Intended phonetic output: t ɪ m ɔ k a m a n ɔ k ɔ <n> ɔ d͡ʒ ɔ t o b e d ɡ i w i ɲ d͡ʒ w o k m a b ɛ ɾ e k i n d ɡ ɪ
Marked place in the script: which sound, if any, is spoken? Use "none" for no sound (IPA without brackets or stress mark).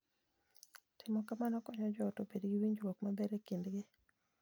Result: ɲ